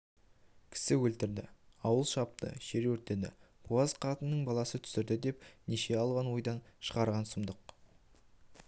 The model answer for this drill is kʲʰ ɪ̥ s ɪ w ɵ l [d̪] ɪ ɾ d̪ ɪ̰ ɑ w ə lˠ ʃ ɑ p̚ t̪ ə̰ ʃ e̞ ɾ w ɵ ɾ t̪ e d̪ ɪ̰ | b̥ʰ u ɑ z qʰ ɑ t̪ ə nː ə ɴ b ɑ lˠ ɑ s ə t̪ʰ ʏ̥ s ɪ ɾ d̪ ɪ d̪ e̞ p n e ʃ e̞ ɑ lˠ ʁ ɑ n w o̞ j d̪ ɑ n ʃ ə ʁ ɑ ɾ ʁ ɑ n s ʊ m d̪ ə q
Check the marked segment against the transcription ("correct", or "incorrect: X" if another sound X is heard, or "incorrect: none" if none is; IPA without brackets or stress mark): incorrect: t̪